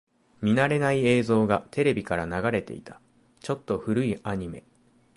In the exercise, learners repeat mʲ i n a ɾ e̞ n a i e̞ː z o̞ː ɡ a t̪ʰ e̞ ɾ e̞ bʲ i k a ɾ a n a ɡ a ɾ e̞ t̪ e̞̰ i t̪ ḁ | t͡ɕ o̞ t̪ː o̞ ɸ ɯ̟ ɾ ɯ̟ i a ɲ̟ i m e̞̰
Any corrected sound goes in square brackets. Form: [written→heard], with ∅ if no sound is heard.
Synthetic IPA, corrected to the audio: mʲ i n a ɾ e̞ n a i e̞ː z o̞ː ɡ a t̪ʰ e̞ ɾ e̞ bʲ i k a ɾ a n a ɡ a ɾ e̞ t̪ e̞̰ i t̪ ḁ | t͡ɕ o̞ t̪ː o̞ ɸ ɯ̟ ɾ ɯ̟ i a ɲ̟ i m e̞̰